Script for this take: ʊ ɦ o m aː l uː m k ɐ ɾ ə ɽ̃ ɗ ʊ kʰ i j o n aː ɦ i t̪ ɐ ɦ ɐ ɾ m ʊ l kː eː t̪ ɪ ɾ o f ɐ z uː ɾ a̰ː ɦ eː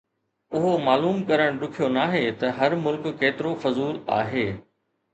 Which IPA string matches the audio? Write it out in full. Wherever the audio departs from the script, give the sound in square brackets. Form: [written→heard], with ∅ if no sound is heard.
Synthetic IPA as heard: ʊ ɦ o m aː l uː m k ɐ ɾ ə ɽ̃ ɗ ʊ kʰ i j o n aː ɦ [i→e] t̪ ɐ ɦ ɐ ɾ m ʊ l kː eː t̪ ɪ ɾ o f ɐ z uː [ɾ→l] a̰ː ɦ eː